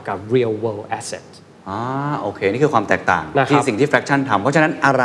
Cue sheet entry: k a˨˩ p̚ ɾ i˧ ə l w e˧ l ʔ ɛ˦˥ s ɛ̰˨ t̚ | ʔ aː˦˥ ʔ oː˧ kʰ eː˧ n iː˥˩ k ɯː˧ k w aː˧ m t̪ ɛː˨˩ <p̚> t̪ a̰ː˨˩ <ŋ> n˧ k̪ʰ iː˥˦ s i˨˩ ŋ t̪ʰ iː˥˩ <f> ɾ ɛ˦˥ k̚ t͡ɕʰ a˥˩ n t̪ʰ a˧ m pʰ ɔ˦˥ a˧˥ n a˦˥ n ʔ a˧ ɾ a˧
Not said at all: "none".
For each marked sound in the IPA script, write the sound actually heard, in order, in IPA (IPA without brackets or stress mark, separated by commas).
k̚, ŋ, f